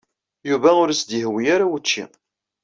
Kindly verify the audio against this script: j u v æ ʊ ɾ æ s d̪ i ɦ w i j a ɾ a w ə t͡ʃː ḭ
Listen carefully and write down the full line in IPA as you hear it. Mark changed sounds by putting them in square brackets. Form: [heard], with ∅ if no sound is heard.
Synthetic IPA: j u v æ ʊ ɾ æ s d̪ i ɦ w i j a ɾ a w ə t͡ʃː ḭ